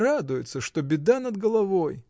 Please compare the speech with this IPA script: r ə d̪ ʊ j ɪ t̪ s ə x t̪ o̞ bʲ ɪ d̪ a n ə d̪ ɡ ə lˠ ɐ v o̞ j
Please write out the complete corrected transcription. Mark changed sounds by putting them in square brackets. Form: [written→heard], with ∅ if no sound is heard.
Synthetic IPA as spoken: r [ə→a] d̪ ʊ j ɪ t̪ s ə [x→ʂ] t̪ o̞ bʲ ɪ d̪ a n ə d̪ ɡ ə lˠ ɐ v o̞ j